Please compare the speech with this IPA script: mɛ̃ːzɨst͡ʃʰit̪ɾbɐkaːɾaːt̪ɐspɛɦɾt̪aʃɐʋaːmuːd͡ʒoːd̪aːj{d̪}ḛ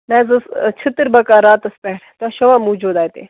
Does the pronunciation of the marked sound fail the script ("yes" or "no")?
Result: yes